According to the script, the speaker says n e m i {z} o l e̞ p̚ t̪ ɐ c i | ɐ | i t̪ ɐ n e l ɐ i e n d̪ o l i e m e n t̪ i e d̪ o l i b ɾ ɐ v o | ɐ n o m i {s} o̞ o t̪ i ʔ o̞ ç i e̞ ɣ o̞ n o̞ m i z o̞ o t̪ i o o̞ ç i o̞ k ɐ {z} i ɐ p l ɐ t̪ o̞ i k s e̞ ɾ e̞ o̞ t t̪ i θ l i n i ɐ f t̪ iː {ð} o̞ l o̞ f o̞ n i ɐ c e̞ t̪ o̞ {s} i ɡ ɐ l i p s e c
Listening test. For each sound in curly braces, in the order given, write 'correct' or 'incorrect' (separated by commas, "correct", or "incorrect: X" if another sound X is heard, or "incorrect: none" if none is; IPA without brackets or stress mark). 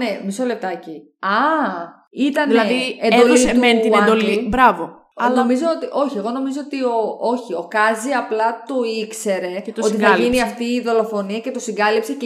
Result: incorrect: s, incorrect: z, correct, correct, correct